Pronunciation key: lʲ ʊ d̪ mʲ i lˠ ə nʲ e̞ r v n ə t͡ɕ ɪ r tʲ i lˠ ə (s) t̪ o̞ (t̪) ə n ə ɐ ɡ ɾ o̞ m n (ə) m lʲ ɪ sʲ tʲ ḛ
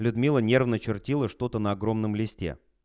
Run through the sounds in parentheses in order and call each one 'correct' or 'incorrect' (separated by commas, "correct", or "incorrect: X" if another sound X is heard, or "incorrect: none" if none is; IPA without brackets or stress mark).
incorrect: ʂ, correct, correct